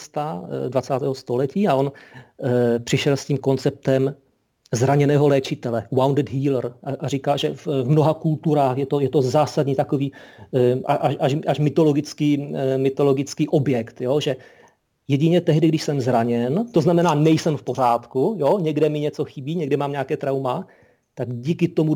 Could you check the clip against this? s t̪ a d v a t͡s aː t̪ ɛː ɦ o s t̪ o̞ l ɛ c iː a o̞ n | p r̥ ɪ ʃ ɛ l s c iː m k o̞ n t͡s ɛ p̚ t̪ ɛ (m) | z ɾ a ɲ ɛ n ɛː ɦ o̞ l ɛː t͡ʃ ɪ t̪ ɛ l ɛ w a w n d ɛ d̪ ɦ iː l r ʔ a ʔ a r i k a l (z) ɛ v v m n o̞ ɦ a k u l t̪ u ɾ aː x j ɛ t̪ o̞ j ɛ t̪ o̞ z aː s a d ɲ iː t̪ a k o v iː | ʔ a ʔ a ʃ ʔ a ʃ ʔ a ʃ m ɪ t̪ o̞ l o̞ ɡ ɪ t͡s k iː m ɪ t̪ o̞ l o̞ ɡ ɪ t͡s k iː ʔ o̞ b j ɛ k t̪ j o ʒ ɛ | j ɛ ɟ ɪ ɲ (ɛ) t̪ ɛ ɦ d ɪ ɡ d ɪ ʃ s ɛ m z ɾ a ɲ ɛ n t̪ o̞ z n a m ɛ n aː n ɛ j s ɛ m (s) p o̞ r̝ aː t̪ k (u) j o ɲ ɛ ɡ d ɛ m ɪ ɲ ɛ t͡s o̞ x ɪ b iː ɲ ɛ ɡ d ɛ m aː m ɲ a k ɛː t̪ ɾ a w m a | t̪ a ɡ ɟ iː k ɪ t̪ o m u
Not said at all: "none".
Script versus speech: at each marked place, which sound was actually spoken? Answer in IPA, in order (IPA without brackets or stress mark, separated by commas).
m, ʒ, ɛ, f, u